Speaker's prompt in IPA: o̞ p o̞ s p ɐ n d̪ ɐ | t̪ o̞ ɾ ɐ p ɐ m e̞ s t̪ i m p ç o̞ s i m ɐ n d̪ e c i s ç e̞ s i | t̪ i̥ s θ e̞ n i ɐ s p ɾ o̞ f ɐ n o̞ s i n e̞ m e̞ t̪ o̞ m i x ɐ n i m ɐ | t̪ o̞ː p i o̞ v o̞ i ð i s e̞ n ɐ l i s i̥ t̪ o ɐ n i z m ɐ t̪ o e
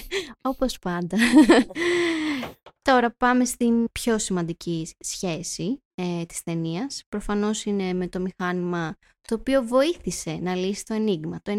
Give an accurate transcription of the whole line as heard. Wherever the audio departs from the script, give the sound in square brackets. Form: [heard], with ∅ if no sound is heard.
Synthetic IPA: o̞ p o̞ s p ɐ n d̪ ɐ | t̪ o̞ ɾ ɐ p ɐ m e̞ s t̪ i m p ç o̞ s i m ɐ n d̪ [i] c i s ç e̞ s i | t̪ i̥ s θ e̞ n i ɐ s p ɾ o̞ f ɐ n o̞ s i n e̞ m e̞ t̪ o̞ m i x ɐ n i m ɐ | t̪ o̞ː p i o̞ v o̞ i [θ] i s e̞ n ɐ l i s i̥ t̪ o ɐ n i [ɣ] m ɐ t̪ o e